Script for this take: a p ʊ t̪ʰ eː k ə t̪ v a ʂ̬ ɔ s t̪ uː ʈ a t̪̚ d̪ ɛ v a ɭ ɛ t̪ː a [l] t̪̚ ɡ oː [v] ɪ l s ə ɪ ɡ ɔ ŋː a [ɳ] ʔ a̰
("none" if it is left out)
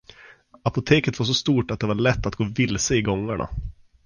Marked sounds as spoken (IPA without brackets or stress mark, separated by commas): none, v, ɳ